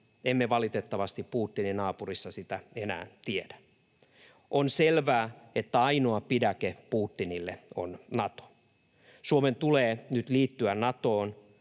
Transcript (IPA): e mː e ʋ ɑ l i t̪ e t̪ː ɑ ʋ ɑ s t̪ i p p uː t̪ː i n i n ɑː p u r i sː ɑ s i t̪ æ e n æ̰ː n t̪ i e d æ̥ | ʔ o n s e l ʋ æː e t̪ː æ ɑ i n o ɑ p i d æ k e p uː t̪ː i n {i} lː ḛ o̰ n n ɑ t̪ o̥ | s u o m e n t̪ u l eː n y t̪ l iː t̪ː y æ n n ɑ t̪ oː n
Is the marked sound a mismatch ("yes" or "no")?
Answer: no